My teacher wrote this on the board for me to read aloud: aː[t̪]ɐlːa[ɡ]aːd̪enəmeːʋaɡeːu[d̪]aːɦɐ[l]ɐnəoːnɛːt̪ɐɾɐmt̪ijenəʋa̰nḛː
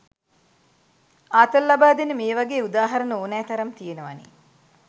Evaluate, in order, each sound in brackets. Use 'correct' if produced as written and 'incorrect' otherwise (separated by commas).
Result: correct, incorrect, correct, incorrect